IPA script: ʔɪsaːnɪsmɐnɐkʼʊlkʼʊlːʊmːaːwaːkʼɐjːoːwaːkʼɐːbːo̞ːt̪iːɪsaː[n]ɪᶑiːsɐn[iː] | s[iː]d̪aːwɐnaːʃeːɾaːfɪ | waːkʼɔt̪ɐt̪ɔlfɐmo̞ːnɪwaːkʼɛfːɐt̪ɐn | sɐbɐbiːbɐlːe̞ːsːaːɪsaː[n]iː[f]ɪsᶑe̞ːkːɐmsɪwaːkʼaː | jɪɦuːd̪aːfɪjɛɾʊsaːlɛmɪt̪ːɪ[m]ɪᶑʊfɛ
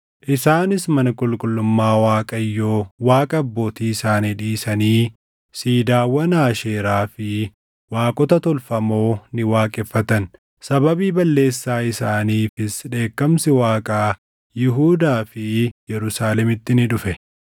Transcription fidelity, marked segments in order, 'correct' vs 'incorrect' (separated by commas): correct, correct, correct, correct, correct, incorrect